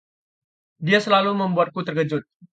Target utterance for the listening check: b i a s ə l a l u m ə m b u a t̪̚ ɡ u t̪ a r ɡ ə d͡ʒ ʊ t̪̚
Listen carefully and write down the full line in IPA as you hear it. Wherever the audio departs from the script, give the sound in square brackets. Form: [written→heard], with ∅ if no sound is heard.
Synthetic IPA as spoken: [b→d] i a s ə l a l u m ə m b u a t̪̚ [ɡ→k] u t̪ [a→ə] r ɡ ə d͡ʒ ʊ t̪̚